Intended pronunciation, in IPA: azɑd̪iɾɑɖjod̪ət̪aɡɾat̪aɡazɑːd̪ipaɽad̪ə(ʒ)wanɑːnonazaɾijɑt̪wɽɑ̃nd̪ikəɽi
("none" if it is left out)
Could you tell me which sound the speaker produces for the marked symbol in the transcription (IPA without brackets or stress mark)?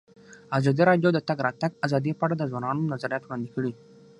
z